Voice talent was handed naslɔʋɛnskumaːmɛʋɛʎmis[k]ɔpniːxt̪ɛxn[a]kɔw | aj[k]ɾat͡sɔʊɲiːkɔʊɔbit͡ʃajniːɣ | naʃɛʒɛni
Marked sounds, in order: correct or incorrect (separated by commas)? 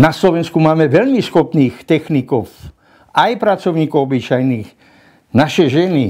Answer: incorrect, incorrect, incorrect